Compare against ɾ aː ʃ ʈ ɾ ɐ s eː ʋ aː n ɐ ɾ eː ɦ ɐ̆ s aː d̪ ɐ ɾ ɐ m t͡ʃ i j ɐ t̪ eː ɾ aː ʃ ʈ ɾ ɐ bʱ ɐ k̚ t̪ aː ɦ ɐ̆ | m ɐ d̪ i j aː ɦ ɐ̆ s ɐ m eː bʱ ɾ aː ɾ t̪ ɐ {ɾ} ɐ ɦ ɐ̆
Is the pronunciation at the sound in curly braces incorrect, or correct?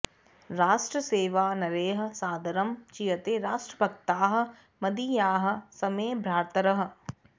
correct